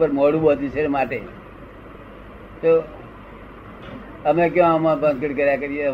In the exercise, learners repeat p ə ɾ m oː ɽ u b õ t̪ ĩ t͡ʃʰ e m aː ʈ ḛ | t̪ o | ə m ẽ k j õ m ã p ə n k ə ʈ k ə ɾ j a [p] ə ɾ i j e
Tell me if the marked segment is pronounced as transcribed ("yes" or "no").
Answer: no